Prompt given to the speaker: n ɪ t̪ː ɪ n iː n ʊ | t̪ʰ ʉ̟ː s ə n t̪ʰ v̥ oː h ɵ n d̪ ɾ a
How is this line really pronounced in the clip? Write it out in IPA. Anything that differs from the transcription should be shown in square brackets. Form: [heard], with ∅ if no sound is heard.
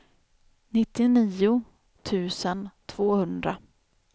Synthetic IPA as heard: n ɪ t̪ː ɪ n iː [∅] ʊ | t̪ʰ ʉ̟ː s ə n t̪ʰ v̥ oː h ɵ n d̪ ɾ a

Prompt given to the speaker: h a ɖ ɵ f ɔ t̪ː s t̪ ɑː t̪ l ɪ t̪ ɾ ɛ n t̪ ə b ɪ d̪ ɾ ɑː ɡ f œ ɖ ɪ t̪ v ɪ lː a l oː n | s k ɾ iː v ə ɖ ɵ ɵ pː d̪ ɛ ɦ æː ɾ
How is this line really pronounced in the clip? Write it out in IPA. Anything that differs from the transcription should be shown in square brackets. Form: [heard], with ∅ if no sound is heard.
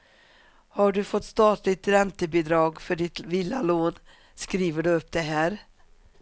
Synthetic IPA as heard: h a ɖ ɵ f ɔ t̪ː s t̪ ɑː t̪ l ɪ t̪ ɾ ɛ n t̪ ə b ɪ d̪ ɾ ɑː ɡ f œ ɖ ɪ t̪ v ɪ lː a l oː n | s k ɾ iː v ə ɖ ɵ ɵ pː d̪ ɛ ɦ æː ɾ

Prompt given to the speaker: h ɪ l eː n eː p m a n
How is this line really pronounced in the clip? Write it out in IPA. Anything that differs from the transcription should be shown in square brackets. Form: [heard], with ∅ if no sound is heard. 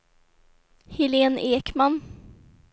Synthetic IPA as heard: h ɪ l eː n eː [k] m a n

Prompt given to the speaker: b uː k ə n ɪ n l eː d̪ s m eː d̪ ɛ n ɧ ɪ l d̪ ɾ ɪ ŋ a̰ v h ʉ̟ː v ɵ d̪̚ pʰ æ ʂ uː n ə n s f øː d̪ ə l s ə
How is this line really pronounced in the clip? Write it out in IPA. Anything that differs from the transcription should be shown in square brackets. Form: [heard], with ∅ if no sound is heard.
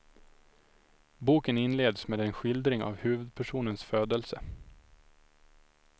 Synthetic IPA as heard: b uː k ə n ɪ n l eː d̪ s m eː d̪ ɛ n ɧ ɪ l d̪ ɾ ɪ ŋ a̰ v h ʉ̟ː v ɵ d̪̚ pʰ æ ʂ uː n ə n s f øː d̪ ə l s ə

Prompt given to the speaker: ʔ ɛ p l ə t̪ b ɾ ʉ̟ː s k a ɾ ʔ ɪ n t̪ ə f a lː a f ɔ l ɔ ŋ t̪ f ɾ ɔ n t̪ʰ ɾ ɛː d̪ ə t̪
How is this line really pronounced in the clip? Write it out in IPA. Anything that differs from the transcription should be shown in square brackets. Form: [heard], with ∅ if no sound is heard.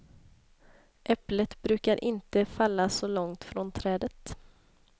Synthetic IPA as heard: ʔ ɛ p l ə t̪ b ɾ ʉ̟ː [∅] k a ɾ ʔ ɪ n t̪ ə f a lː a [s] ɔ l ɔ ŋ t̪ f ɾ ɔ n t̪ʰ ɾ ɛː d̪ ə t̪

